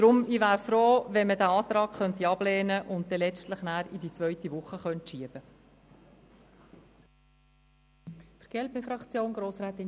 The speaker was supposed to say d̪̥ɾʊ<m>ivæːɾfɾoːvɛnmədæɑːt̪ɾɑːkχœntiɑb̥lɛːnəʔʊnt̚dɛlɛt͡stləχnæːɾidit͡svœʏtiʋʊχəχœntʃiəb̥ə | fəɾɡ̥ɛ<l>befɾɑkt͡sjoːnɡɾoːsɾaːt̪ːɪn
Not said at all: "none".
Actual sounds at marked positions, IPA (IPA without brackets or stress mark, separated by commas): m, l